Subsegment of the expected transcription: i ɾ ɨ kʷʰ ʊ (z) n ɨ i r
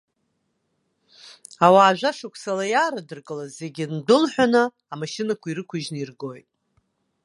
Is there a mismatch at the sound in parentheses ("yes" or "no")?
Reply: yes